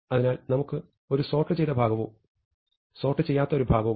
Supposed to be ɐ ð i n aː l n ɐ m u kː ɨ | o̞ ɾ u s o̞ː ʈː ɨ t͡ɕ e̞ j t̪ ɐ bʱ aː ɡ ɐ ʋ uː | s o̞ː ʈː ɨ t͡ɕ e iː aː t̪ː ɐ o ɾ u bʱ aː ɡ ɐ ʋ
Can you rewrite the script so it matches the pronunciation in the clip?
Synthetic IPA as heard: ɐ ð i n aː l n ɐ m u kː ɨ | o̞ ɾ u s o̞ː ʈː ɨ t͡ɕ e̞ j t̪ ɐ bʱ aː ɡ ɐ ʋ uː | s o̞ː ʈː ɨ t͡ɕ e jː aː t̪ː ɐ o ɾ u bʱ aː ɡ ɐ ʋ